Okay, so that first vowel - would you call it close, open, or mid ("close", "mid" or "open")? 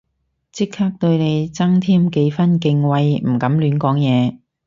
close